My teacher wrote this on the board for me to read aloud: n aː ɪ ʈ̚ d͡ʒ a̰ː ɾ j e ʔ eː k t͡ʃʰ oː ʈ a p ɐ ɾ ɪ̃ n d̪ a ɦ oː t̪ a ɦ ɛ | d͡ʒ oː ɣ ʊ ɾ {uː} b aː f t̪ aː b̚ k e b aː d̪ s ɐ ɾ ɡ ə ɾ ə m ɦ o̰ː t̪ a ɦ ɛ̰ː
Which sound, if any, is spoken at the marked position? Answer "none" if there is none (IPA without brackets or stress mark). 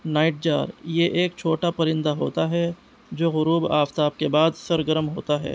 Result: uː